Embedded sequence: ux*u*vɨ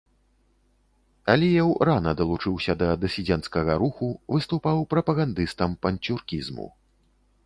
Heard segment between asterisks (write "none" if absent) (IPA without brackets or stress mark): u